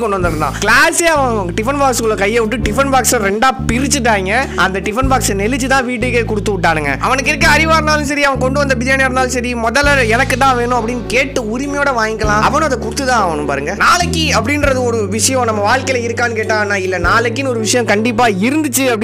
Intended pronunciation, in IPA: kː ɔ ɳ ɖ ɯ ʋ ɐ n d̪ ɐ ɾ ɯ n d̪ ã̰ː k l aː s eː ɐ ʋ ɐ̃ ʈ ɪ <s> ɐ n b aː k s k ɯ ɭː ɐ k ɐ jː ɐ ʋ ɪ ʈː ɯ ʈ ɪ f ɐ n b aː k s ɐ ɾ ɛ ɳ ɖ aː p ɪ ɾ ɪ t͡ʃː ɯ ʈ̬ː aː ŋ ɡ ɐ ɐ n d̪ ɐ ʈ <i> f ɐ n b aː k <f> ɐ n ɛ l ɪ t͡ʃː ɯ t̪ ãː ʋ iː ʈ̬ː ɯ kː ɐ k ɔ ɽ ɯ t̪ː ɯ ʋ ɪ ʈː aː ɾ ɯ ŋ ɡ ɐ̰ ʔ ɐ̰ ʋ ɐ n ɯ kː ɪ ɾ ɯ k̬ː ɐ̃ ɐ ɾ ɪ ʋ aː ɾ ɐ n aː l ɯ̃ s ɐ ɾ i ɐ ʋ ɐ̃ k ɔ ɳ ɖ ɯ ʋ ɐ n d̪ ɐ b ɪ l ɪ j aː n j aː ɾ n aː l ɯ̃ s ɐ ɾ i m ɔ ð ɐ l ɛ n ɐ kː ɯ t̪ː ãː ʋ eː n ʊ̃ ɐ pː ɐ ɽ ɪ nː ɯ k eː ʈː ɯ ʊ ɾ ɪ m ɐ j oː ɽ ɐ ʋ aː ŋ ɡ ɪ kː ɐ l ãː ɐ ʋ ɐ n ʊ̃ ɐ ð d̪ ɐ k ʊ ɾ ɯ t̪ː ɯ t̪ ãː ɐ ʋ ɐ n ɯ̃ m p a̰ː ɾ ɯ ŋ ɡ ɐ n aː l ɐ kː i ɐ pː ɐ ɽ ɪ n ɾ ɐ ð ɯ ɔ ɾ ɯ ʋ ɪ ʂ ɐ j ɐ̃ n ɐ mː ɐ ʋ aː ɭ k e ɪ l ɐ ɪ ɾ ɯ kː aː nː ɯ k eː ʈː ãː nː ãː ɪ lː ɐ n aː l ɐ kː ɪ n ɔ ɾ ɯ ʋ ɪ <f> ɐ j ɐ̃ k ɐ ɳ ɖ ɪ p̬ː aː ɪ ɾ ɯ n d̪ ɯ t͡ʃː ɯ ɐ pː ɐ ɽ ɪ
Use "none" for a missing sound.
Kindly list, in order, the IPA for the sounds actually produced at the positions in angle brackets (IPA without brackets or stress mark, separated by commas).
f, ɪ, s, ʂ